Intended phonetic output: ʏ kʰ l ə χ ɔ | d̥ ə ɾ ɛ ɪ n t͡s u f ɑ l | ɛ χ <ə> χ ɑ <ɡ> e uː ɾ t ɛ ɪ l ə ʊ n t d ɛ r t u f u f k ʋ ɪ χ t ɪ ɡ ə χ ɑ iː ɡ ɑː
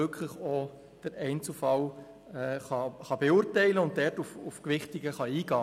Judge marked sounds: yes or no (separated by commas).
no, no